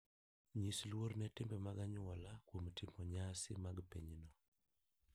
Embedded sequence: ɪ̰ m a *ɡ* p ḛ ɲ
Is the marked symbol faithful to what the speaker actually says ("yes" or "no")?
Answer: yes